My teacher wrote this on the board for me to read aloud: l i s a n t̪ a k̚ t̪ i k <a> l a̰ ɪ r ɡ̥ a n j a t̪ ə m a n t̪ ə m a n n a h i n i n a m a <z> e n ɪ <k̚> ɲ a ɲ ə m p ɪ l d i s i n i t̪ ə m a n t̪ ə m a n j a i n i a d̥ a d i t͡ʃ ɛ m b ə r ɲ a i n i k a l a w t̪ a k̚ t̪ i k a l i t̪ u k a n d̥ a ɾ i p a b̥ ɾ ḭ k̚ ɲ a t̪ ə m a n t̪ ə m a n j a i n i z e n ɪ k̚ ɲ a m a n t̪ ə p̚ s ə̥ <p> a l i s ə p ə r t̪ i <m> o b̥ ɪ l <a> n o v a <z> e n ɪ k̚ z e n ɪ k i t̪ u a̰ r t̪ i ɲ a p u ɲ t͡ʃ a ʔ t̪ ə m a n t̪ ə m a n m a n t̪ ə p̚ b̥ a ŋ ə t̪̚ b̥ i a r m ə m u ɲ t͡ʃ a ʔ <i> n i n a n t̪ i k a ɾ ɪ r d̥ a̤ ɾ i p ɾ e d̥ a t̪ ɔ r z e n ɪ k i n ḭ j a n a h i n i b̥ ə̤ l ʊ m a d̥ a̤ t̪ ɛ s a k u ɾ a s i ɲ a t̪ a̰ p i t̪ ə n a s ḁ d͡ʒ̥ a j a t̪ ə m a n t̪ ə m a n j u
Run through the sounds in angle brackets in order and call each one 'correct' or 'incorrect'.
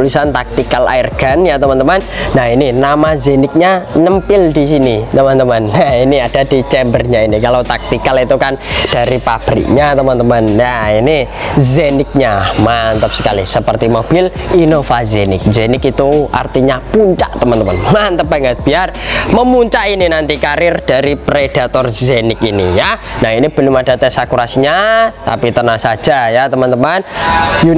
correct, correct, correct, incorrect: k, correct, incorrect: i, correct, correct

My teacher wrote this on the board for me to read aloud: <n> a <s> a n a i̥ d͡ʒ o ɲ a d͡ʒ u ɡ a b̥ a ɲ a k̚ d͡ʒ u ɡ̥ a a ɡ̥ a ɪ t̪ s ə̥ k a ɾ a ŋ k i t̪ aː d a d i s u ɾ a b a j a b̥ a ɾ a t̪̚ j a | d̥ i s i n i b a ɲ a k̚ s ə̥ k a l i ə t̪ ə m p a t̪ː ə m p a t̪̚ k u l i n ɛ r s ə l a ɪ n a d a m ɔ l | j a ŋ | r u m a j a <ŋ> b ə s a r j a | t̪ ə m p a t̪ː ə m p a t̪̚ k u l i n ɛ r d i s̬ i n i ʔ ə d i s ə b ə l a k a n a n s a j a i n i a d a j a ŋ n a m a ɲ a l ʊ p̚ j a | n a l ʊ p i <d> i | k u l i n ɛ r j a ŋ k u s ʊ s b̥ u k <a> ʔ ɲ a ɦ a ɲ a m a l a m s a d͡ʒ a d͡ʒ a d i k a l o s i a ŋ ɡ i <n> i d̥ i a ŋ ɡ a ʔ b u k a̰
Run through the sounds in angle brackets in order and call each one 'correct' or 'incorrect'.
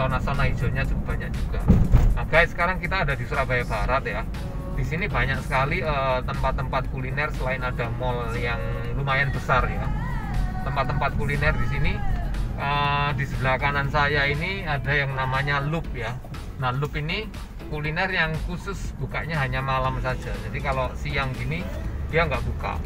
correct, correct, incorrect: n, incorrect: n, correct, correct

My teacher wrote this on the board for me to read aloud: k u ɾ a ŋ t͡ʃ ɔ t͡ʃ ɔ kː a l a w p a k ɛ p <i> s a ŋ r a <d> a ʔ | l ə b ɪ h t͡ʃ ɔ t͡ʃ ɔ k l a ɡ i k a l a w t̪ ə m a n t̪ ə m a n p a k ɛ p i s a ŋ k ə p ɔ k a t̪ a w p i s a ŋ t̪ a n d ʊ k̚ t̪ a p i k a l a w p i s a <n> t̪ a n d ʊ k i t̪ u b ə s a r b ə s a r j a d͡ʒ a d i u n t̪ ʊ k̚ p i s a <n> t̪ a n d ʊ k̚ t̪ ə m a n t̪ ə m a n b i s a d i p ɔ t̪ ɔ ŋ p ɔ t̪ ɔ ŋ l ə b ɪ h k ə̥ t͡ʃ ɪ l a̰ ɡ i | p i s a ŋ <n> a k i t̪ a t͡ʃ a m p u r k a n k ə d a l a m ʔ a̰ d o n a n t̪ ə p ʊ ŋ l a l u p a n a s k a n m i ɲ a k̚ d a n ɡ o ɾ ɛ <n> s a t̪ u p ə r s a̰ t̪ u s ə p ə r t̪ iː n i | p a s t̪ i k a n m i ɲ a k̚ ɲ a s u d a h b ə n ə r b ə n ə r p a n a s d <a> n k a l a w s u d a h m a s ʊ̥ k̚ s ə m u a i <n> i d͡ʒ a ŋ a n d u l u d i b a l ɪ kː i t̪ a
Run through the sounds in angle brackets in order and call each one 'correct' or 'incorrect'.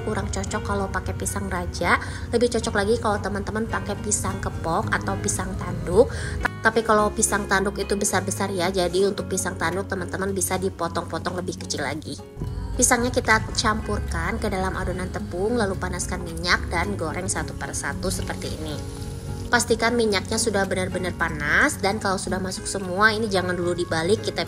correct, incorrect: d͡ʒ, incorrect: ŋ, incorrect: ŋ, incorrect: ɲ, incorrect: ŋ, correct, correct

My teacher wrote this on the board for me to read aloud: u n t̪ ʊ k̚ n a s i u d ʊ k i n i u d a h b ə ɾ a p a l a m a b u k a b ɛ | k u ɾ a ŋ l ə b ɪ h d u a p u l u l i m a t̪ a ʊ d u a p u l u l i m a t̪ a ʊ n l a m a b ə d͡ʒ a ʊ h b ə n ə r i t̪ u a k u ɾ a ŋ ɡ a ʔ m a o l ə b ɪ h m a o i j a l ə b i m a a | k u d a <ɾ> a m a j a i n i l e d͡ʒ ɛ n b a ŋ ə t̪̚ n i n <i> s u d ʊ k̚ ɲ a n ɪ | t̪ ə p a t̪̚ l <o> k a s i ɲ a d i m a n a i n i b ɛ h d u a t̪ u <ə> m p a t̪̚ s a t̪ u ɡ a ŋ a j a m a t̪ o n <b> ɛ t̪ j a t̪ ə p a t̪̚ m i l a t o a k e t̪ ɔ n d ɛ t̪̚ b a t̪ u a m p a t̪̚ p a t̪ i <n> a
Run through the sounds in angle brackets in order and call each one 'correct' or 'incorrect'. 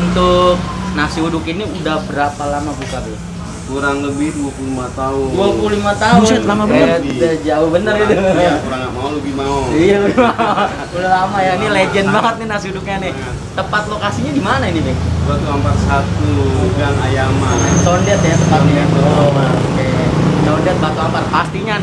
incorrect: l, incorrect: a, correct, incorrect: a, incorrect: d, incorrect: ɲ

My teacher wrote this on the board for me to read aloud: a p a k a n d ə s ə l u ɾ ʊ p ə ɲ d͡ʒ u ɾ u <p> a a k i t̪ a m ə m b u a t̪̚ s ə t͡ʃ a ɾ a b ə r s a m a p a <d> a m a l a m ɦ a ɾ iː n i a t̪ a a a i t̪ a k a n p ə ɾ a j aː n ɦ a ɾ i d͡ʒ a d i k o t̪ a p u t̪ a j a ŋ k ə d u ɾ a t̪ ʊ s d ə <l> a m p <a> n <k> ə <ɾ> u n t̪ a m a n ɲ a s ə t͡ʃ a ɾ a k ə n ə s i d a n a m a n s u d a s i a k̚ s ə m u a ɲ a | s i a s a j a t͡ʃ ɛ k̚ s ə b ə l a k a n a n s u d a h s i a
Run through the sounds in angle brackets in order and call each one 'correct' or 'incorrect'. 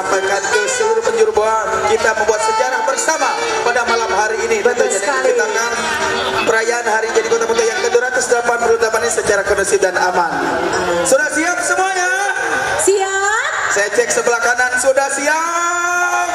incorrect: b, correct, correct, correct, incorrect: p, correct

